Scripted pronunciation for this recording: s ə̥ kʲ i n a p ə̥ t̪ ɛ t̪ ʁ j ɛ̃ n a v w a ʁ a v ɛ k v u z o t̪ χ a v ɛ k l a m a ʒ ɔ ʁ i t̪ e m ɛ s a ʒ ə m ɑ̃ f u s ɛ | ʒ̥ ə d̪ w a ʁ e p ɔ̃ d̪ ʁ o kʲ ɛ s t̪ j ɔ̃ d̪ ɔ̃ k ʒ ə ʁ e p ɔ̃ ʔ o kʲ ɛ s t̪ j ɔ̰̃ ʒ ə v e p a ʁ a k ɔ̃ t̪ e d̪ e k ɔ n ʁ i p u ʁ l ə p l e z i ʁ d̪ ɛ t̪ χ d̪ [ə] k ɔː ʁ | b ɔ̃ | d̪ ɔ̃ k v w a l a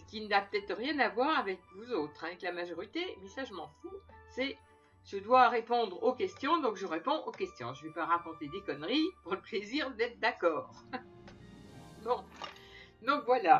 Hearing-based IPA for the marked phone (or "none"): a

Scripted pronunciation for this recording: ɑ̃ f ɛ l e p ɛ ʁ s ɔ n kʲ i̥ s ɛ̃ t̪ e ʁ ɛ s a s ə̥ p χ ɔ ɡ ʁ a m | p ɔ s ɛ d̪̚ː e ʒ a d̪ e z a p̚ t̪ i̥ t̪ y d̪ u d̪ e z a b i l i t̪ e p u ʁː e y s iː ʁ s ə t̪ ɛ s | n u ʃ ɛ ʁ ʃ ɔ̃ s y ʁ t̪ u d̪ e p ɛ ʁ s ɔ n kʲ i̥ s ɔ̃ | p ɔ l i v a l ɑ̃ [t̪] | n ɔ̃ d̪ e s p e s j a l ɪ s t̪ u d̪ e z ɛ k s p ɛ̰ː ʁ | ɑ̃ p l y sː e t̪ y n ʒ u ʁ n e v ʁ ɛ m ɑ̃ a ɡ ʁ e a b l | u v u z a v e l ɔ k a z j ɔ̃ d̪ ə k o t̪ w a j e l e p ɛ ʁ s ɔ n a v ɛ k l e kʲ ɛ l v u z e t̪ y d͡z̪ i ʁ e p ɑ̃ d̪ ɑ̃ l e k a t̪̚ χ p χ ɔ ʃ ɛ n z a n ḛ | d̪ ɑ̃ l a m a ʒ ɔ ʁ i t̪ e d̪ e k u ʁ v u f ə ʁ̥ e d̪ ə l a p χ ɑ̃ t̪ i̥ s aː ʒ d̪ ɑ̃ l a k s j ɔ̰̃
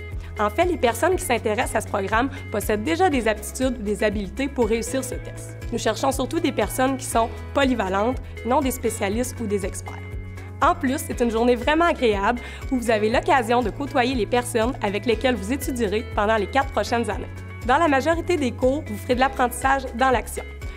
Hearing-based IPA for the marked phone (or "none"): t̪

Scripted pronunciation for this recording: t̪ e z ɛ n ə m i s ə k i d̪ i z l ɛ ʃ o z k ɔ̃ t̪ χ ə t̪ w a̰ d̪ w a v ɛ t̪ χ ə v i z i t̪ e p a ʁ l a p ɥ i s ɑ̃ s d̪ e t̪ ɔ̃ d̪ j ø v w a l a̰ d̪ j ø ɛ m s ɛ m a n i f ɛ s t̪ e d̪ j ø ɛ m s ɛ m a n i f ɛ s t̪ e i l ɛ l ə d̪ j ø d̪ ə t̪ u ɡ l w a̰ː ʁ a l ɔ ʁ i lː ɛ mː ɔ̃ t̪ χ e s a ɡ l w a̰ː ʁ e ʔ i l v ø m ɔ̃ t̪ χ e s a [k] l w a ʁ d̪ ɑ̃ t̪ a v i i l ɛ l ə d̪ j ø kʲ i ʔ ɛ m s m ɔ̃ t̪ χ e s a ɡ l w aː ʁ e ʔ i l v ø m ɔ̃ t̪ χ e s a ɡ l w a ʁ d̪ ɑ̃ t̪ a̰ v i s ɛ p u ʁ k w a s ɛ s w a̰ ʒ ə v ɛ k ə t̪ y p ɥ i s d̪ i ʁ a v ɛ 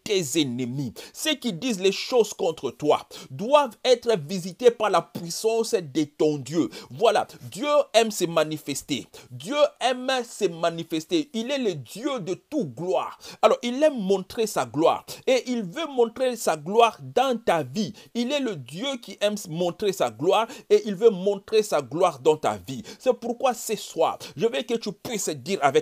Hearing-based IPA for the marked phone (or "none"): ɡ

